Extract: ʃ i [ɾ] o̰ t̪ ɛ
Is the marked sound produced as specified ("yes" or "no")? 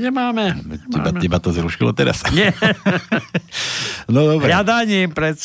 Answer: no